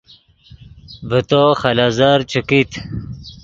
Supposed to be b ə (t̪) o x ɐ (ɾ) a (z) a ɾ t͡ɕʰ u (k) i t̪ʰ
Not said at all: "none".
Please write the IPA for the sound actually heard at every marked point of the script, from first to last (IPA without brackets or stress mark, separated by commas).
t̪, l, z, k